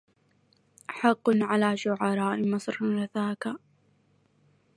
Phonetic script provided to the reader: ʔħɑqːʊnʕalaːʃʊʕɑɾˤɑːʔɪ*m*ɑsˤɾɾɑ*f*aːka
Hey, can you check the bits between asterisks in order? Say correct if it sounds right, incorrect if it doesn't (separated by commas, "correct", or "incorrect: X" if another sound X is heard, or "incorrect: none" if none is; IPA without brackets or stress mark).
correct, incorrect: θ